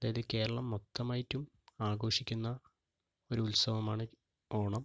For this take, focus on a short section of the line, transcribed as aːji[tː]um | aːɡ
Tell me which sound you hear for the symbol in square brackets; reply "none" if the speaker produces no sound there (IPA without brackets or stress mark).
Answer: tː